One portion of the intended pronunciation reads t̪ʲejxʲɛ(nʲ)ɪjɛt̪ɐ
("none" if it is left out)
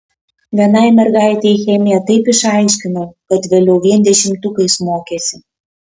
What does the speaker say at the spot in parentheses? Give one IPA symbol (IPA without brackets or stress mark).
mʲ